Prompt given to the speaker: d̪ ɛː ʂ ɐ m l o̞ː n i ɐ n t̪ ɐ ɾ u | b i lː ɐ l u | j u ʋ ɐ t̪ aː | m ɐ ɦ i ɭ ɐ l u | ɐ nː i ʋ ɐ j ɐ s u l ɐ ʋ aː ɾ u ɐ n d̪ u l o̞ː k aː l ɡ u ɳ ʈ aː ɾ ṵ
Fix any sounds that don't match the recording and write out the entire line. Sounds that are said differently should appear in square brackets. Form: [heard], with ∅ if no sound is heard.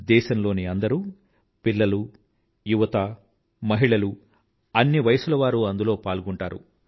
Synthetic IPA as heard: d̪ ɛː [ʃ] ɐ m l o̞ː n i ɐ n [d̪] ɐ ɾ u | [p] i lː ɐ l u | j u ʋ ɐ t̪ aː | m ɐ ɦ i ɭ ɐ l u | ɐ nː i ʋ ɐ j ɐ s u l ɐ ʋ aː ɾ u ɐ n d̪ u l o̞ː [p] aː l ɡ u ɳ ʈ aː ɾ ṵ